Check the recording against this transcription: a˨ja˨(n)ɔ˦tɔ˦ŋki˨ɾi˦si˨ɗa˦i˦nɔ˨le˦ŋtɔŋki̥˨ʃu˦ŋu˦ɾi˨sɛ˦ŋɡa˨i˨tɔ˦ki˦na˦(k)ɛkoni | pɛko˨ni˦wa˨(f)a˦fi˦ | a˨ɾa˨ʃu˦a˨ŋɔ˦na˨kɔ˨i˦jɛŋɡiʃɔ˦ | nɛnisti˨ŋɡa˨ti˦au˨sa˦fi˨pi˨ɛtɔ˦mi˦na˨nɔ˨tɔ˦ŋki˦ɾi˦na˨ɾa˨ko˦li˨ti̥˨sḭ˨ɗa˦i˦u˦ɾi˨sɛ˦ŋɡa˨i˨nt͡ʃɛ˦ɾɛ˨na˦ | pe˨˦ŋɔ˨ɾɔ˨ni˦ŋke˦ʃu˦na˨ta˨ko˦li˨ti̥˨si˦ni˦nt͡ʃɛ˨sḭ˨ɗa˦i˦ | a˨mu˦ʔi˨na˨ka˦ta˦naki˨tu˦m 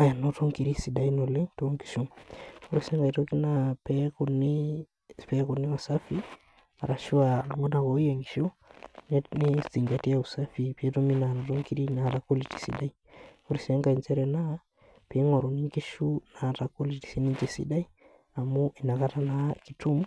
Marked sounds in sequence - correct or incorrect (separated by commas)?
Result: correct, incorrect, incorrect